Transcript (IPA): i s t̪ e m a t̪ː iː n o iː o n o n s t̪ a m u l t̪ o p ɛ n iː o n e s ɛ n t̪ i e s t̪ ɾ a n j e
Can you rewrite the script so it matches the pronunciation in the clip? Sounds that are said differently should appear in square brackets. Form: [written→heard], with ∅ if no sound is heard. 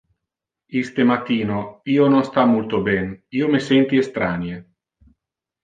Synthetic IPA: i s t̪ e m a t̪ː iː n o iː o n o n s t̪ a m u l t̪ o [p→b] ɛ n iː o [n→m] e s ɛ n t̪ i e s t̪ ɾ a n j e